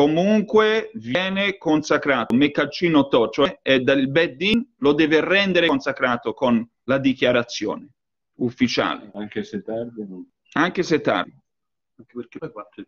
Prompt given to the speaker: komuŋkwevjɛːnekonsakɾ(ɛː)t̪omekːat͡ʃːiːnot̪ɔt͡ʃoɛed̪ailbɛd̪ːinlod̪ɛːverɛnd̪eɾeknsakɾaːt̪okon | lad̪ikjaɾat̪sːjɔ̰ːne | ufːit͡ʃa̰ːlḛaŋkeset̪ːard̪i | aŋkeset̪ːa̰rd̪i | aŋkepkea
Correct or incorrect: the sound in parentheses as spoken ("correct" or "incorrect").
incorrect